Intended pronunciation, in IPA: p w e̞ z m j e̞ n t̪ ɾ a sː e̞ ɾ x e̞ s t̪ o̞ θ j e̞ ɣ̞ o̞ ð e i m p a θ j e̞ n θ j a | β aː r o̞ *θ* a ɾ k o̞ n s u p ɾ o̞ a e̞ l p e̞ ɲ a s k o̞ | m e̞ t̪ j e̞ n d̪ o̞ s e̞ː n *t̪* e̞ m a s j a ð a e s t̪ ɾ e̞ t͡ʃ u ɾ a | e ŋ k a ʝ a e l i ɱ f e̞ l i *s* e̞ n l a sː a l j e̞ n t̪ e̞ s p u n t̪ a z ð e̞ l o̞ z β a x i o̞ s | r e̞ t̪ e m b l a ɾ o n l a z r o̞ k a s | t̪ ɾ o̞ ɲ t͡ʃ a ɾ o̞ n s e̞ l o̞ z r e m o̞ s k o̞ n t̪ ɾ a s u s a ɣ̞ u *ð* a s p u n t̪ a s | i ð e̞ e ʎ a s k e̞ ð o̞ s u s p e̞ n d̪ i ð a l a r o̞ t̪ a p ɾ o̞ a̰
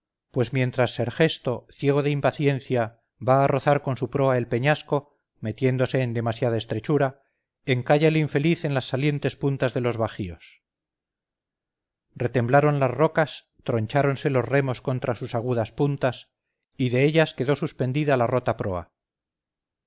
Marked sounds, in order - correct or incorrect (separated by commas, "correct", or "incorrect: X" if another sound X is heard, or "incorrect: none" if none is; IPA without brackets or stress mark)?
correct, incorrect: d̪, incorrect: θ, correct